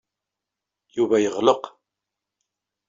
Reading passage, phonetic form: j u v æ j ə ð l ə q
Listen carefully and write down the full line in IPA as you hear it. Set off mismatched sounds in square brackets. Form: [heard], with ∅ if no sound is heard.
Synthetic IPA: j u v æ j ə [ʁ] l ə q